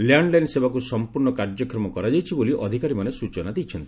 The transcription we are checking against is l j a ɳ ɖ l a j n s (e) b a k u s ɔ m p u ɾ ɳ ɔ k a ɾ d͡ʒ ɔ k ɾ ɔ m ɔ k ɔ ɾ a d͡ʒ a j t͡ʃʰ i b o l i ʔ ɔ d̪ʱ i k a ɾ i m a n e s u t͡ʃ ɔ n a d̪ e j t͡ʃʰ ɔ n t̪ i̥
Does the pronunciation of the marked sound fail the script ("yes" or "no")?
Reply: no